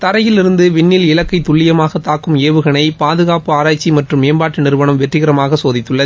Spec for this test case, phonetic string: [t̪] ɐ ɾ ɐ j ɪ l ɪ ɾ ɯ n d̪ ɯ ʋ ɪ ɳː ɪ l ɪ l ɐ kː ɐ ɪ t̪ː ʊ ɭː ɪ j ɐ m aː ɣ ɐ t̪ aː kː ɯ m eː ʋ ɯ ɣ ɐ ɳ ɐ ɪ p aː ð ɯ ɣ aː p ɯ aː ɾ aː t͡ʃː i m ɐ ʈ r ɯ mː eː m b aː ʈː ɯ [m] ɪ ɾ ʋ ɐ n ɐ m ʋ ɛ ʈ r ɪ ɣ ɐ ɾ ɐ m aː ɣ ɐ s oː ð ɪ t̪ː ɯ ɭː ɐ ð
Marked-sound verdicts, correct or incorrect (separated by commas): correct, incorrect